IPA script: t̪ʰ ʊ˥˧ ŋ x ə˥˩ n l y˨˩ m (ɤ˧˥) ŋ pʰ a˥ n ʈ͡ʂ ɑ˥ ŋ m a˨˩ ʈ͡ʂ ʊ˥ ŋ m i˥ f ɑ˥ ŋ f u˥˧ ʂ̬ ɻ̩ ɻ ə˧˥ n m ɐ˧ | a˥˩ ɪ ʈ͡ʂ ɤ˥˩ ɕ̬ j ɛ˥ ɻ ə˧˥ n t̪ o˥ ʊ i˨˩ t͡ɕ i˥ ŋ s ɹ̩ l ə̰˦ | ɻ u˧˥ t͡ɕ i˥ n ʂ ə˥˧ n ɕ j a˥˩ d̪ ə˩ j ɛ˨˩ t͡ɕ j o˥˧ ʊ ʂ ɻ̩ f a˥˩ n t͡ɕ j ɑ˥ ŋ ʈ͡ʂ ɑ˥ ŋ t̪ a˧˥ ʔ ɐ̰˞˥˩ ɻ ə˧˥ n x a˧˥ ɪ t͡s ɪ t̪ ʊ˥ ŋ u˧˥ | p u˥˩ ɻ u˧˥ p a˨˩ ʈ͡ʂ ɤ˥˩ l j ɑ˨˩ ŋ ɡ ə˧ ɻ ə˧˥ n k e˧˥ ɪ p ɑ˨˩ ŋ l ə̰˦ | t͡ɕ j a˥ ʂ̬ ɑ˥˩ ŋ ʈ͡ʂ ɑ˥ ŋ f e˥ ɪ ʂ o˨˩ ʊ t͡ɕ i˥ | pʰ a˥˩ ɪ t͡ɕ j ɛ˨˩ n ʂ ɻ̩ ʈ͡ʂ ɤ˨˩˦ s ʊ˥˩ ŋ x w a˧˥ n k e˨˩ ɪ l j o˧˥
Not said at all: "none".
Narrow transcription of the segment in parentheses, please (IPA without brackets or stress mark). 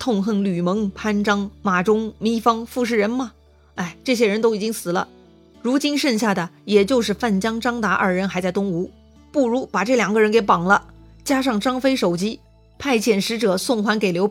ɤ˧˥